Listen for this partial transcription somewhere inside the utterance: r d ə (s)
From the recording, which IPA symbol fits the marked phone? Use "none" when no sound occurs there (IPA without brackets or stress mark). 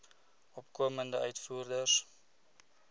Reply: s